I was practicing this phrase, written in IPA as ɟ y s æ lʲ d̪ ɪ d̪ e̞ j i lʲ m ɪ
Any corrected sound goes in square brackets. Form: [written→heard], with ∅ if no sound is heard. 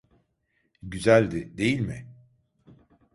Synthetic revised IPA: ɟ y [s→z] æ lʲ d̪ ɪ d̪ e̞ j i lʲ m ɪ